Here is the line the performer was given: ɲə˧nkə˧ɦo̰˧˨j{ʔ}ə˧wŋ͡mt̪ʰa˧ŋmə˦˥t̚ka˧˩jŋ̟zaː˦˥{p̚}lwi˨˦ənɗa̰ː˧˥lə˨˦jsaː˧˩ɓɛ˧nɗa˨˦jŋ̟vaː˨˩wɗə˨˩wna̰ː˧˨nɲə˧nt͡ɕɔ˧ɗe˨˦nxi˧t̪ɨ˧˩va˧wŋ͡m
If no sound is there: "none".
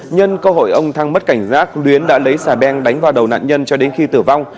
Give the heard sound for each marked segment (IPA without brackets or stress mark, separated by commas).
ʔ, k̚